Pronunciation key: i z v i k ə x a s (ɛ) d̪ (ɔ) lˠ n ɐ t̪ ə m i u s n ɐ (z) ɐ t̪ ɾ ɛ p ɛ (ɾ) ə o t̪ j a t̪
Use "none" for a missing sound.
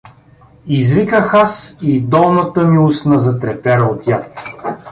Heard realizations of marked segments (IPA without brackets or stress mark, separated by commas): i, ɔ, z, ɾ